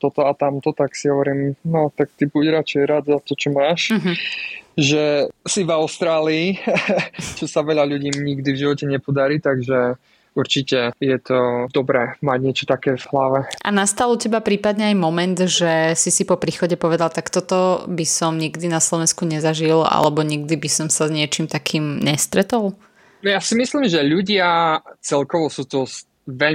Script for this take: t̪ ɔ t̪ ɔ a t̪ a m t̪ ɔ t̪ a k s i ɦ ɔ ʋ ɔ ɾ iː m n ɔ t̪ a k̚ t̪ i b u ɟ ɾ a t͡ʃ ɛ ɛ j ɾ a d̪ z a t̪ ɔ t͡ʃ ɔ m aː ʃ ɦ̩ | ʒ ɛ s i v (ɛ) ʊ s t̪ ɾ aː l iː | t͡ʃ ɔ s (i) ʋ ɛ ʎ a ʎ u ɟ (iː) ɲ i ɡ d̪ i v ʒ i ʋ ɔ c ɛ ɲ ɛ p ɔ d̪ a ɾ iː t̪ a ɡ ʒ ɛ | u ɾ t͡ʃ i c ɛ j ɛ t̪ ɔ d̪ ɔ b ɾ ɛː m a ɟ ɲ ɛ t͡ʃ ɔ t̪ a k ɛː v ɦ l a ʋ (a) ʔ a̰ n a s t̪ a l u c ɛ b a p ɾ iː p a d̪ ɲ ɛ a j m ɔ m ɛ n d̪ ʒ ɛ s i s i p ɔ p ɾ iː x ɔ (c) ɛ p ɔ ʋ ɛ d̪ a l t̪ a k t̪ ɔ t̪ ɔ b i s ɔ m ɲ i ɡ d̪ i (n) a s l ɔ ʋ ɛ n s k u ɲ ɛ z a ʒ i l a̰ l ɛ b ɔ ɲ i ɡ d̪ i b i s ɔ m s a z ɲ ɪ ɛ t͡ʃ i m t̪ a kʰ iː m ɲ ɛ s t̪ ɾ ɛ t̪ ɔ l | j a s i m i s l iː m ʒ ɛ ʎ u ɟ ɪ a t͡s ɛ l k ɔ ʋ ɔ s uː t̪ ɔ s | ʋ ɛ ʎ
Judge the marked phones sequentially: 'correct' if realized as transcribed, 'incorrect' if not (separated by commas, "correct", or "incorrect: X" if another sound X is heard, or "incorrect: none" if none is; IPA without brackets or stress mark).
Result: incorrect: a, incorrect: a, correct, incorrect: ɛ, incorrect: ɟ, correct